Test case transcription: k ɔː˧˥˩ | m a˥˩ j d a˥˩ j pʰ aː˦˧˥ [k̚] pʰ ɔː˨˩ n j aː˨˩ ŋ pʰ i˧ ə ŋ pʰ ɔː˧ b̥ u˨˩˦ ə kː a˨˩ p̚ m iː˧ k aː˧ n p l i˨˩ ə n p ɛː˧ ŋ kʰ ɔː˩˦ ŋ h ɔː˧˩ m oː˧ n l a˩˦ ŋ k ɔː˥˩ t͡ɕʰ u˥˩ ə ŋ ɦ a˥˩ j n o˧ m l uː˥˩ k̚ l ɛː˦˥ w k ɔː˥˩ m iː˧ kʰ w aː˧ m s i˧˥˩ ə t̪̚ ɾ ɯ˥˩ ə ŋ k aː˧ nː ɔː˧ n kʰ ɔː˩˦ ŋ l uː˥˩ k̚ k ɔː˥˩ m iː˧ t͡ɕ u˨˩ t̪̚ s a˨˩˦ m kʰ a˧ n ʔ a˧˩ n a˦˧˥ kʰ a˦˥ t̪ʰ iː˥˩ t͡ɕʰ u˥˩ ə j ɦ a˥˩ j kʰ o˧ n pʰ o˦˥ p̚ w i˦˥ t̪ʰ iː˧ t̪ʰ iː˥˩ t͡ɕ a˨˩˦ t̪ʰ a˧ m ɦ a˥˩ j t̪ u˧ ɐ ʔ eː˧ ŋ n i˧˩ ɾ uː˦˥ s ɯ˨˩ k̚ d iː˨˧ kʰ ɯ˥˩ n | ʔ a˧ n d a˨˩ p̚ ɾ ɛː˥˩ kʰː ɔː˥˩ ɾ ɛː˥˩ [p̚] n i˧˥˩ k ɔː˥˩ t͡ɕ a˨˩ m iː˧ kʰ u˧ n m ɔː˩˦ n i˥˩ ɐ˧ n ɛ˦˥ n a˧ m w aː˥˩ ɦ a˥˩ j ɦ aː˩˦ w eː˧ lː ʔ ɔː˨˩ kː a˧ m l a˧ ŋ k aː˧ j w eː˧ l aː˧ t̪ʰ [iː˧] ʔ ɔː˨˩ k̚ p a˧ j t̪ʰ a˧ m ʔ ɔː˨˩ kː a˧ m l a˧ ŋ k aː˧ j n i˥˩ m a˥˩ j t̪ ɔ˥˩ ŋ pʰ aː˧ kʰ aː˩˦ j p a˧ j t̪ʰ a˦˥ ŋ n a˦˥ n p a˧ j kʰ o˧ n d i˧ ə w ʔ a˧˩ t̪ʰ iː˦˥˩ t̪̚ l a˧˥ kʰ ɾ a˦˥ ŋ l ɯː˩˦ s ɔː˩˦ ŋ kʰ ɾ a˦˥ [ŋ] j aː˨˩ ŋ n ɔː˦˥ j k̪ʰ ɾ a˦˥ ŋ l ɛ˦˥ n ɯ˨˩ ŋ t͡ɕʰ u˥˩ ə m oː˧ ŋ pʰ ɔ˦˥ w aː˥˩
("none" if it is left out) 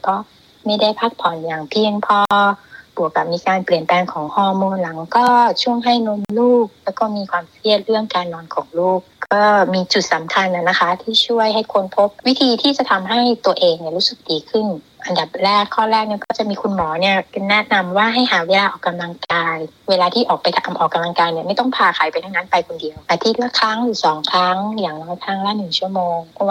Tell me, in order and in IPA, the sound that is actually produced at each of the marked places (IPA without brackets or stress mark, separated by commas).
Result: k̚, k̚, iː˥˩, ŋ